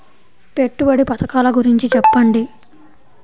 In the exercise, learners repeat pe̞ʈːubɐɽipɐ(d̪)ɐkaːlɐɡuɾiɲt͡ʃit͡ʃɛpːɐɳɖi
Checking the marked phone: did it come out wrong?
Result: yes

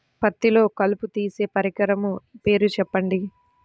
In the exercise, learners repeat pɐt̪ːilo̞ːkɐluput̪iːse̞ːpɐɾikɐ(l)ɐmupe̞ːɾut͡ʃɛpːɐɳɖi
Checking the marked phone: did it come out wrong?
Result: yes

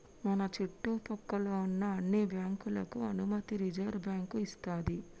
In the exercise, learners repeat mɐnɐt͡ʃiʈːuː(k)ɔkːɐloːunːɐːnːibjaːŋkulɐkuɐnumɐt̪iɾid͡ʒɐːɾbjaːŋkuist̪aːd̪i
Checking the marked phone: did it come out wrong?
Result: yes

